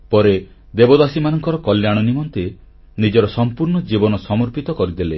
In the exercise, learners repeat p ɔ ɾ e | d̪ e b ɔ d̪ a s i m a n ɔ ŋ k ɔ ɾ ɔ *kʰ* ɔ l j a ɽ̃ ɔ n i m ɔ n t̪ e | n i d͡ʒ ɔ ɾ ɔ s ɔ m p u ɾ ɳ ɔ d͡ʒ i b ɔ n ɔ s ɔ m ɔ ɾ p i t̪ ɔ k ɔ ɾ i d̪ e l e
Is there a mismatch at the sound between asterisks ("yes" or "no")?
yes